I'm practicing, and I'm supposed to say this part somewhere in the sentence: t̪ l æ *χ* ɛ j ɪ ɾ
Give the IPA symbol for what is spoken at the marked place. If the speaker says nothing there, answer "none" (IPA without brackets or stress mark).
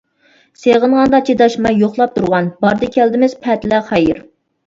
χ